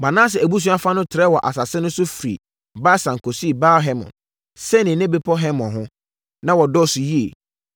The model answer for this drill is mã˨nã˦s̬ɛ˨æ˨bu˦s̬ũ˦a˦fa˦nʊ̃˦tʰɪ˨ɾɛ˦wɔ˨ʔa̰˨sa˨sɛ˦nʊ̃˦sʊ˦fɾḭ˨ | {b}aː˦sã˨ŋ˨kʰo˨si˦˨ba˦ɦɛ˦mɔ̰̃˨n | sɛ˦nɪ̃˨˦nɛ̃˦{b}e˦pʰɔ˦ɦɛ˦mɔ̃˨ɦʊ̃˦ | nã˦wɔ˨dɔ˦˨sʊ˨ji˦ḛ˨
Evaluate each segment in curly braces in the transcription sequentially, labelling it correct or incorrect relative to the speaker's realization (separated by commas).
correct, correct